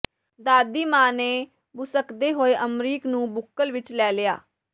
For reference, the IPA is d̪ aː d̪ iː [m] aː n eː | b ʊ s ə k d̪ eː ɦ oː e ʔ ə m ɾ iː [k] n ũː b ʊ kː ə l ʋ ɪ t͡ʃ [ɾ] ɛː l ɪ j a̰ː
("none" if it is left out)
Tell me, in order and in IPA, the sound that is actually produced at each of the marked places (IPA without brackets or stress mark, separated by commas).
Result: m, k, l